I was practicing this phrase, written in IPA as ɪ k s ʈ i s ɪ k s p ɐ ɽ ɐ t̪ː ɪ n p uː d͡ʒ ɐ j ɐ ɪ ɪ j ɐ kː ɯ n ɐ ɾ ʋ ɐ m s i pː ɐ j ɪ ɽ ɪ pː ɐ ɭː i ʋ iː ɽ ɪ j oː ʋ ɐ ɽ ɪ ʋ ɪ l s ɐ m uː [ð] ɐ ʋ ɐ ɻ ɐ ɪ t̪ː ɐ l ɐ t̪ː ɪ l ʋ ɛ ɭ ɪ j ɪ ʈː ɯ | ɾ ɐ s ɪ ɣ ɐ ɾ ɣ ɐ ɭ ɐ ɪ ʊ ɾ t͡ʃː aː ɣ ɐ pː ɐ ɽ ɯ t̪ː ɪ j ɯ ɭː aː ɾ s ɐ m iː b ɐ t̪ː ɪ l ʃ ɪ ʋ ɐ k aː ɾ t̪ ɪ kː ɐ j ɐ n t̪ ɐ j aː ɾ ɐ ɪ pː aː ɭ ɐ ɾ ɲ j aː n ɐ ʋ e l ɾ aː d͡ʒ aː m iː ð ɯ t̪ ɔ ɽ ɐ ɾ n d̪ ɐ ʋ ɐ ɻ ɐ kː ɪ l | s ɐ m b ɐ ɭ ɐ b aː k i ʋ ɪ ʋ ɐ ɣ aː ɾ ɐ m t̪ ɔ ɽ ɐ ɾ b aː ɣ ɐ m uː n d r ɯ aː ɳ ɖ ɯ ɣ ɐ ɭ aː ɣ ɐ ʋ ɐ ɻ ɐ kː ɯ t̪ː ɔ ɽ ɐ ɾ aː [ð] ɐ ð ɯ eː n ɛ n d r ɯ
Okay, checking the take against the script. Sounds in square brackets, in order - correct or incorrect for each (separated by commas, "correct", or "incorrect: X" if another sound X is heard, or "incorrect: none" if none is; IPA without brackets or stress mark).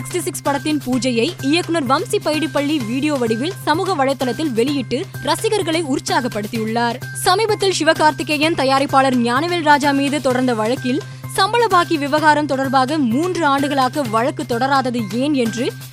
incorrect: ɣ, correct